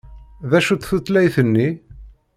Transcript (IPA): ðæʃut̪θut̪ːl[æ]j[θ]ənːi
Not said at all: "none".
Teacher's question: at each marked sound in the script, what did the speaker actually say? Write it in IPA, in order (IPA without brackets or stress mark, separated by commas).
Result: æ, θ